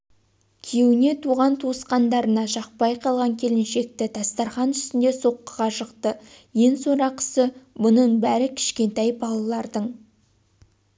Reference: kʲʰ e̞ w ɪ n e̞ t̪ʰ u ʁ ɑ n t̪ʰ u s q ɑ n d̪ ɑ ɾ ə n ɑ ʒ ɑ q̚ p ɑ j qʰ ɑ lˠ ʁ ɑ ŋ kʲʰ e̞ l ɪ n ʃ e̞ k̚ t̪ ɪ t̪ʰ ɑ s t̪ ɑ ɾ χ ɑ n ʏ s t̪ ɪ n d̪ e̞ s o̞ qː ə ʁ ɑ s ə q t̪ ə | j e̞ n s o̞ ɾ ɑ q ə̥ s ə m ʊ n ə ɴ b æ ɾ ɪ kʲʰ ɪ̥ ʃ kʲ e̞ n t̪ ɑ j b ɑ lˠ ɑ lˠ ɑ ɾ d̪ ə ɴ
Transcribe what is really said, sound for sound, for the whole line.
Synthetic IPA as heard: kʲʰ e̞ w ɪ n e̞ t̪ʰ u ʁ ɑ n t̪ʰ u s q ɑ n d̪ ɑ ɾ ə n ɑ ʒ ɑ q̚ p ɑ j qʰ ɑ lˠ ʁ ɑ ŋ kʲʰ e̞ l ɪ n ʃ e̞ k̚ t̪ ɪ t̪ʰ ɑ s t̪ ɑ ɾ χ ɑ n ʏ s t̪ ɪ n d̪ e̞ s o̞ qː ə ʁ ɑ ʃ ə q t̪ ə | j e̞ n s o̞ ɾ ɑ q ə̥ s ə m ʊ n ə ɴ b æ ɾ ɪ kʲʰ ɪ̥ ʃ kʲ e̞ n t̪ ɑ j b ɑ lˠ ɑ lˠ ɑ ɾ d̪ ə ɴ